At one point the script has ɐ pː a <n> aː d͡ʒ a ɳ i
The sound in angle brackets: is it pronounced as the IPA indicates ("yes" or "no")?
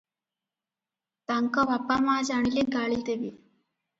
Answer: no